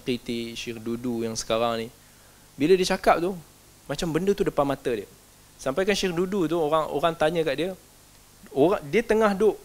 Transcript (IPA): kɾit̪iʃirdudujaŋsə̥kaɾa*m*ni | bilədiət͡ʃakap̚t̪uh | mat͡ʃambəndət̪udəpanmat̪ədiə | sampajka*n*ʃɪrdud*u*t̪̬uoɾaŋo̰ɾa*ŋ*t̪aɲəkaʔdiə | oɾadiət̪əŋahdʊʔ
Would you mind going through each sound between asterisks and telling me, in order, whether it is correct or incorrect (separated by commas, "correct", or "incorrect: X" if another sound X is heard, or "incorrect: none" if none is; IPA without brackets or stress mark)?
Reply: incorrect: ŋ, correct, correct, correct